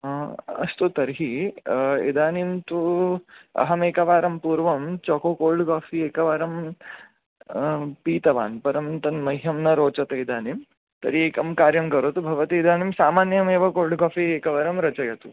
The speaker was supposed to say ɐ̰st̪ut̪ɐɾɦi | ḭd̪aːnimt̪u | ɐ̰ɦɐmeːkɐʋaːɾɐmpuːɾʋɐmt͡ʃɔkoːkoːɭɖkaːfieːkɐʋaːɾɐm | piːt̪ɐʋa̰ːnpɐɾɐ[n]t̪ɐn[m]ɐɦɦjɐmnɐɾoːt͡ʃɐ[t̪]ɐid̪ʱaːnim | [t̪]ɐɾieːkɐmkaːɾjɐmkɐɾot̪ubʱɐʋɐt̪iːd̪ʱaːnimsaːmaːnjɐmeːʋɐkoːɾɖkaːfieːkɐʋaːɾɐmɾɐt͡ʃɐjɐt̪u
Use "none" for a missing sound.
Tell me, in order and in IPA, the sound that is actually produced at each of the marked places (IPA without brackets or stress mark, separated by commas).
m, m, t̪, t̪